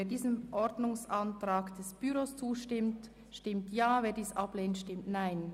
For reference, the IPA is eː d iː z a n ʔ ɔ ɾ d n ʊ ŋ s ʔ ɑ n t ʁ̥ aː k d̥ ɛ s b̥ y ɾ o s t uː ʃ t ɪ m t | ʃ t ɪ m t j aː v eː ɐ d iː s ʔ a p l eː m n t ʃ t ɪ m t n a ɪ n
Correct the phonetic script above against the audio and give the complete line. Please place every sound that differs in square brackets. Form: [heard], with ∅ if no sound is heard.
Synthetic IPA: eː d iː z [ə] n ʔ ɔ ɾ d n ʊ ŋ s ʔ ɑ n t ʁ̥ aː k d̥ ɛ s b̥ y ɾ o s [t͡s] uː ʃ t ɪ m t | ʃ t ɪ m t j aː v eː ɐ d iː s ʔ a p l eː [∅] n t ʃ t ɪ m t n a ɪ n